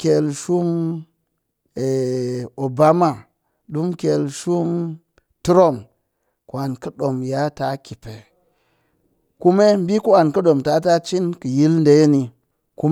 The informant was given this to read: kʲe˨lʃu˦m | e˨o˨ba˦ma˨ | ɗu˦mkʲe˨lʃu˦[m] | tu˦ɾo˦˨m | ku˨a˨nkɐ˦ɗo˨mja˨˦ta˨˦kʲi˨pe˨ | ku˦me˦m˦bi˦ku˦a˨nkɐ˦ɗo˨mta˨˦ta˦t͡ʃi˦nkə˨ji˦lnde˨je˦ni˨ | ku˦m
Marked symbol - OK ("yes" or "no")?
yes